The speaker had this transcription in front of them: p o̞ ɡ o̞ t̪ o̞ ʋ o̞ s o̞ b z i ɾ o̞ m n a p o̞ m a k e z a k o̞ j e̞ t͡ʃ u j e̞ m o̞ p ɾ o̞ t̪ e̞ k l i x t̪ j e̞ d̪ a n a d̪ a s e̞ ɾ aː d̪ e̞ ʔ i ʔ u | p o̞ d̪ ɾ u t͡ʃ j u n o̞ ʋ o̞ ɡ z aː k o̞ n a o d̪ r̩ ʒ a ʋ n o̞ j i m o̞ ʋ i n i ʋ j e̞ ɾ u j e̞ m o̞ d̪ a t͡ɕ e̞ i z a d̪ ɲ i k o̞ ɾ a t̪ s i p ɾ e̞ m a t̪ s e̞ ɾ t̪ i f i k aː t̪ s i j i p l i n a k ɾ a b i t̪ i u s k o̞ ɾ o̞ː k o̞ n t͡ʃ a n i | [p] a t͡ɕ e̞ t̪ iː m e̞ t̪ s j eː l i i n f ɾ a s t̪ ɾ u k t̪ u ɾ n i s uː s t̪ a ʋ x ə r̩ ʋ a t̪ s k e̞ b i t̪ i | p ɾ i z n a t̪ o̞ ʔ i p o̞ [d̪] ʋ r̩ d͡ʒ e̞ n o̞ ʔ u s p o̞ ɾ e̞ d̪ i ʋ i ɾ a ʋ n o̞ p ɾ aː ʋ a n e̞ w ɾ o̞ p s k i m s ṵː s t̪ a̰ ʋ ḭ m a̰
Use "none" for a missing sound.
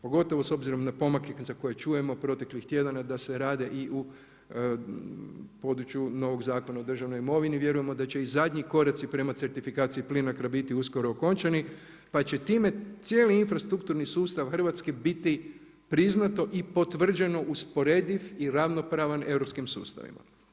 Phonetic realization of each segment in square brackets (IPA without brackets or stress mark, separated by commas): p, t̪